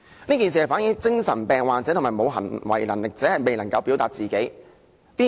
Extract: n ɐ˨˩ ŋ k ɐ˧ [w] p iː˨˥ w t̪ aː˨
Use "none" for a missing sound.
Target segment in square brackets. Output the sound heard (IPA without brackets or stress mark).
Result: w